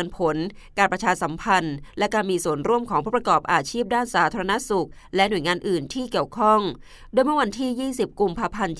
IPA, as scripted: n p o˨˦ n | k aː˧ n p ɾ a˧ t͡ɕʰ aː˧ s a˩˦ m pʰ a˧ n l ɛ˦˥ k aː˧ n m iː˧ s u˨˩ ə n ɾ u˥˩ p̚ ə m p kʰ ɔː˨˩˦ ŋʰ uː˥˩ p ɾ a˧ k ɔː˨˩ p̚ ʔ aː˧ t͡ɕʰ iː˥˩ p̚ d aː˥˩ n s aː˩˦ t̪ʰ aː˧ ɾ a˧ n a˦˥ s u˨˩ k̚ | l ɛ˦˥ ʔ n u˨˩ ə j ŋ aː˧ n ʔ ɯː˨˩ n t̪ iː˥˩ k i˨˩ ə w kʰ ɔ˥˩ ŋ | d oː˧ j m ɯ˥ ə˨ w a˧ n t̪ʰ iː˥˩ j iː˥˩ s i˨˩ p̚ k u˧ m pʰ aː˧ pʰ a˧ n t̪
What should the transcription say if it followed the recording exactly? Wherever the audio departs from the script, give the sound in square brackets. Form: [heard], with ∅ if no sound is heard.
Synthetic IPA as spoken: n [pʰ] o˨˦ n | k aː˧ n p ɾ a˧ t͡ɕʰ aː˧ s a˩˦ m pʰ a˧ n l ɛ˦˥ k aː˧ n m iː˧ s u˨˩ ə n ɾ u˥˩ [∅] ə m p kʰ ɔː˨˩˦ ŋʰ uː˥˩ p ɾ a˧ k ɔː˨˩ p̚ ʔ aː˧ t͡ɕʰ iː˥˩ p̚ d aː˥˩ n s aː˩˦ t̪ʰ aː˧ ɾ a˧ n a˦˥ s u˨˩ k̚ | l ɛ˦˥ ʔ n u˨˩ ə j ŋ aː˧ n ʔ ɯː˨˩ n [t̪ʰ] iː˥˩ k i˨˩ ə w kʰ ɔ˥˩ ŋ | d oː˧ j m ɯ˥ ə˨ w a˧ n t̪ʰ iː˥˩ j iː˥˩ s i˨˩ p̚ k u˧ m pʰ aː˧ pʰ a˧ n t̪